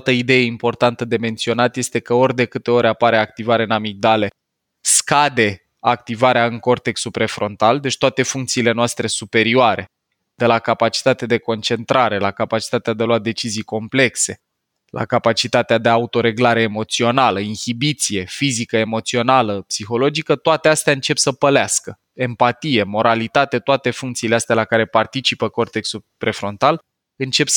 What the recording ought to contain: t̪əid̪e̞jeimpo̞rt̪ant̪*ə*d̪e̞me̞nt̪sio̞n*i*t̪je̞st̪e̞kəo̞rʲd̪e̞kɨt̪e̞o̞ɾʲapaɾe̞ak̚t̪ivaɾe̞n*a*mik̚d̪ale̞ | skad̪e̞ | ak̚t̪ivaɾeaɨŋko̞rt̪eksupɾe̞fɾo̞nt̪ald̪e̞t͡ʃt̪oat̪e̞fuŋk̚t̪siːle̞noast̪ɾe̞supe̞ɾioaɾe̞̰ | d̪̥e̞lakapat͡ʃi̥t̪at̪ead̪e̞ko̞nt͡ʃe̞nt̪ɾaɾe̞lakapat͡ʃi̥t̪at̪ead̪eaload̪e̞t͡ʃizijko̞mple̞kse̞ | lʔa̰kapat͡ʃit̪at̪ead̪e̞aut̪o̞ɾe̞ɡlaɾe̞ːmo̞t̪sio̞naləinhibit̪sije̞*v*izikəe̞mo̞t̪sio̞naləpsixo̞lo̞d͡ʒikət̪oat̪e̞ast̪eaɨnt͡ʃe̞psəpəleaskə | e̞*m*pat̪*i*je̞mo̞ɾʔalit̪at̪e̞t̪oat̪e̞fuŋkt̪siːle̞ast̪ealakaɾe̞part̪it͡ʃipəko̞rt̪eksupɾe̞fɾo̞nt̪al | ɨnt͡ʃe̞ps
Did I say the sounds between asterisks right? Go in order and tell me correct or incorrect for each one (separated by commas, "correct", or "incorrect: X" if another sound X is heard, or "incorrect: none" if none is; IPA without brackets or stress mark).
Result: correct, incorrect: a, correct, incorrect: f, correct, correct